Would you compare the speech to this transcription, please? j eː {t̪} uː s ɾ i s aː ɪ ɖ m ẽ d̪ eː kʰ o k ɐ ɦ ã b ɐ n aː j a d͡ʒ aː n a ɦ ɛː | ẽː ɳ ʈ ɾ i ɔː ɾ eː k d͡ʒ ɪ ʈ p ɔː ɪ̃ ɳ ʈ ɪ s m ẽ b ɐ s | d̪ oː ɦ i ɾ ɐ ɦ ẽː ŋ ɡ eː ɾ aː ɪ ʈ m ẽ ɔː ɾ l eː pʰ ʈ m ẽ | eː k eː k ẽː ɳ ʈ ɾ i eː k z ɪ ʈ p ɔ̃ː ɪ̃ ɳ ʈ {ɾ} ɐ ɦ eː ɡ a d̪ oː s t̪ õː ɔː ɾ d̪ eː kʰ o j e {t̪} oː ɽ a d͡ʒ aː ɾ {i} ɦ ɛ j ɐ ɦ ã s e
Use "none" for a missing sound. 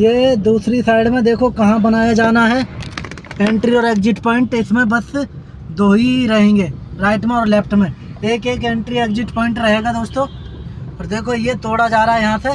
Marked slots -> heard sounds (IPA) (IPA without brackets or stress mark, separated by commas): d̪, ɾ, t̪, a